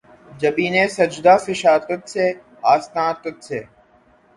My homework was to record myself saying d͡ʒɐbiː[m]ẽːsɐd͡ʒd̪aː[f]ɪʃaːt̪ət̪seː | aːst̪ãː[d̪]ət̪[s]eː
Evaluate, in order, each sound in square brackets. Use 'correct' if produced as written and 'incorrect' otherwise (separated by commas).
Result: incorrect, correct, incorrect, correct